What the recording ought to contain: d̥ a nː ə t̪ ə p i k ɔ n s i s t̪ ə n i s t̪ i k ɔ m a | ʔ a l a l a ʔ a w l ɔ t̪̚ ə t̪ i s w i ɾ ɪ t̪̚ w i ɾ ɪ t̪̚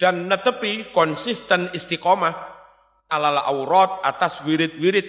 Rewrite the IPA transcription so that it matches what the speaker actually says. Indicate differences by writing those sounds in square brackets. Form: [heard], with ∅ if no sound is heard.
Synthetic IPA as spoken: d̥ a nː ə t̪ ə p i k ɔ n s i s t̪ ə n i s t̪ i k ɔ m a | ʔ a l a l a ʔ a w [ɾ] ɔ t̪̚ [a] t̪ [a] s w i ɾ ɪ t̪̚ w i ɾ ɪ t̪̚